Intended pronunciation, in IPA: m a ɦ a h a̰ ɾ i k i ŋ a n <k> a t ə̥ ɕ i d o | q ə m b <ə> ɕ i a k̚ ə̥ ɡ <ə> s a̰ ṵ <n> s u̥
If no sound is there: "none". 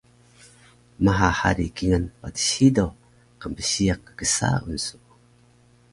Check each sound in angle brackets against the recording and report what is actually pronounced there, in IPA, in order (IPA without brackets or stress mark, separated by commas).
p, ə, ə, n